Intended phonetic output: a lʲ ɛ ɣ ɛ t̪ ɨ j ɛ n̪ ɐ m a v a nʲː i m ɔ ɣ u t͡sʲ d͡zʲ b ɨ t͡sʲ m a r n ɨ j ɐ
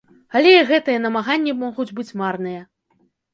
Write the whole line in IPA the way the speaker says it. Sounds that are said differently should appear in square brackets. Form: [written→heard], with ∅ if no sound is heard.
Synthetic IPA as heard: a lʲ ɛ ɣ ɛ t̪ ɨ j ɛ n̪ ɐ m a [v→ɣ] a nʲː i m ɔ ɣ u [t͡sʲ→∅] d͡zʲ b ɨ t͡sʲ m a r n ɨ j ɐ

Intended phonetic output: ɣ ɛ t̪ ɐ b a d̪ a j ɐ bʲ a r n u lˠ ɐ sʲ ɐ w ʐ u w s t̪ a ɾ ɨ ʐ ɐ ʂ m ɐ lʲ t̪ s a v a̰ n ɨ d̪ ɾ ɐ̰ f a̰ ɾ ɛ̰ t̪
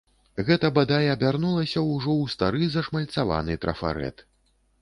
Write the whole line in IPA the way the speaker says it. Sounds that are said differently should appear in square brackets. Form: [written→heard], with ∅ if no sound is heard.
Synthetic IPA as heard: ɣ ɛ t̪ ɐ b a d̪ a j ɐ bʲ a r n u lˠ ɐ sʲ ɐ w ʐ [u→ɔ] w s t̪ a ɾ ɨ [ʐ→z] ɐ ʂ m ɐ lʲ t̪ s a v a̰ n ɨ [d̪→t̪] ɾ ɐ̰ f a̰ ɾ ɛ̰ t̪

